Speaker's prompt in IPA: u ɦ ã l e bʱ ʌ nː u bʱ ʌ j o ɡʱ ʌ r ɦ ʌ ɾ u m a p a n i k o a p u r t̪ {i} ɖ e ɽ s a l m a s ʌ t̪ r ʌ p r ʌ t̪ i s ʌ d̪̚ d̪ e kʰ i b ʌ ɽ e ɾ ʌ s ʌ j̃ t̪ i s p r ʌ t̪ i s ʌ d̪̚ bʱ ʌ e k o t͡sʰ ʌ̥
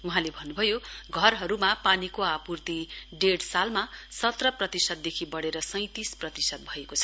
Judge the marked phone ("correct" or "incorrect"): correct